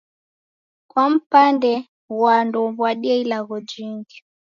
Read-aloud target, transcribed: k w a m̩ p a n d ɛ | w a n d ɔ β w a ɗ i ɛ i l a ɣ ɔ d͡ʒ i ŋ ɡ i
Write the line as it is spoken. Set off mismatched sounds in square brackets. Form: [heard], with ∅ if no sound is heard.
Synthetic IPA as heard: k w a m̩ p a n d ɛ | w a n d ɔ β w a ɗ i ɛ i l a ɣ ɔ d͡ʒ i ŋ ɡ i